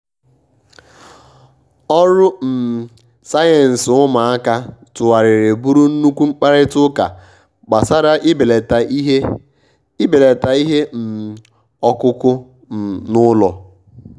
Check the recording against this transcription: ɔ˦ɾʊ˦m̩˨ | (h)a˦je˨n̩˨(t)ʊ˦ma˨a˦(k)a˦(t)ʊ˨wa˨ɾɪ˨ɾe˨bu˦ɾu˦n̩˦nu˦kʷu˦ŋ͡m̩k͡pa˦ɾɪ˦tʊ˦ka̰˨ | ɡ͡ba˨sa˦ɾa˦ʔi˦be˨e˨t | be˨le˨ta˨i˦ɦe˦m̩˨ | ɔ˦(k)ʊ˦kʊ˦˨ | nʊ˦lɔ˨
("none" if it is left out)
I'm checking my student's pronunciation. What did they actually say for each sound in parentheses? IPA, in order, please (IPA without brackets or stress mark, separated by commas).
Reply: s, s, k, t, k